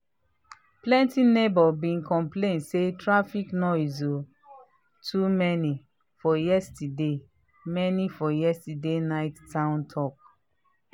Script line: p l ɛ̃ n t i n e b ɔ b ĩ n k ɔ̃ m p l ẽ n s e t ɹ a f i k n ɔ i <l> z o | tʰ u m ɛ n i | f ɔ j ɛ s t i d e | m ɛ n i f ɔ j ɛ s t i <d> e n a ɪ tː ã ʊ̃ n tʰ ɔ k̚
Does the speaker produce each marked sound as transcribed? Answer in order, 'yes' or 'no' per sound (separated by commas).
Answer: no, yes